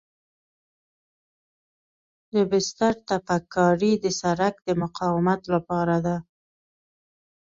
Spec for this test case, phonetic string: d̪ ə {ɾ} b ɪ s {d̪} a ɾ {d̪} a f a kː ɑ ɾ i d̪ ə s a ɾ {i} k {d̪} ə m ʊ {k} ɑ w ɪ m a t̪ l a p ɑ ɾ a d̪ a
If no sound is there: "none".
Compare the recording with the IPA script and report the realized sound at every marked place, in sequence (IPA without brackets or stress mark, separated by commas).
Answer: none, t̪, t̪, a, d̪, q